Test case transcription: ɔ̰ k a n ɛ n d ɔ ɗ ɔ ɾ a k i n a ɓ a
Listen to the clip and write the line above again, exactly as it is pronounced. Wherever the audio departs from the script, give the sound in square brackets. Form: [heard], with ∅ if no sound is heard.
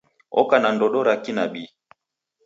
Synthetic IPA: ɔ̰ k a n [a] n d ɔ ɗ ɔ ɾ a k i n a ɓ [i]